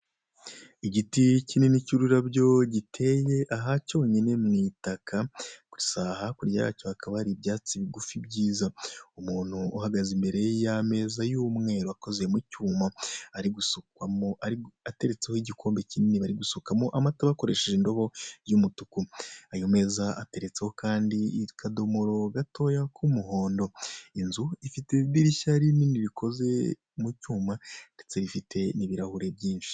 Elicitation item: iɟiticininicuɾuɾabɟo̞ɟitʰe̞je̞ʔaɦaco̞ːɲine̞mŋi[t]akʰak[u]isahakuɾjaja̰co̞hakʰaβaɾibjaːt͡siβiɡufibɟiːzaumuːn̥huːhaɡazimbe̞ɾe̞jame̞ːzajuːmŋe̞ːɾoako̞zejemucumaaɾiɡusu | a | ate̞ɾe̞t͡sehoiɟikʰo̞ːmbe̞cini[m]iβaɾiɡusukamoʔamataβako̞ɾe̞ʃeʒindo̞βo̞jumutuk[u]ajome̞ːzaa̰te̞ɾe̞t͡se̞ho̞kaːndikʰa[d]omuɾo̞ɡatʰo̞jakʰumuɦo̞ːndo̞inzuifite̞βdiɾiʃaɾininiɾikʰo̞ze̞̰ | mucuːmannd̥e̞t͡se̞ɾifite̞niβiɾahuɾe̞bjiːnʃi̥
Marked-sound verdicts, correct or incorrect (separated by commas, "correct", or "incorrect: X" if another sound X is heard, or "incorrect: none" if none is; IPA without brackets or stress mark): correct, correct, incorrect: n, correct, correct